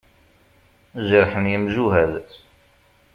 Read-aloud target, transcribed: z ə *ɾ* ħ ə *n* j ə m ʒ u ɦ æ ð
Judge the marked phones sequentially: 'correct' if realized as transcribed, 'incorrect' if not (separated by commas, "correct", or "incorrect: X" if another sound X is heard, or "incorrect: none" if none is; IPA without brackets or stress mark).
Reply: correct, correct